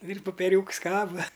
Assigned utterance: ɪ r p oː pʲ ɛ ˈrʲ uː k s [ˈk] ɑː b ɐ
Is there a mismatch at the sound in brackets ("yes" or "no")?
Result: no